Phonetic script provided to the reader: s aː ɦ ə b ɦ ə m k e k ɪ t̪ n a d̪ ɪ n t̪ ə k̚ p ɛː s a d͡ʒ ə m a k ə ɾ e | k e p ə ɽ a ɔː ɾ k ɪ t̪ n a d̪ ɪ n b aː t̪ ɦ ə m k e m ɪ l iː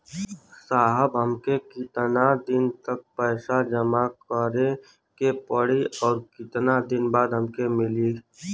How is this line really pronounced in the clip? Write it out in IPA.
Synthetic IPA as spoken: s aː ɦ ə b ɦ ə m k e k ɪ t̪ n a d̪ ɪ n t̪ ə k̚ p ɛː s a d͡ʒ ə m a k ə ɾ e | k e p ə ɽ i ɔː ɾ k ɪ t̪ n a d̪ ɪ n b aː d̪ ɦ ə m k e m ɪ l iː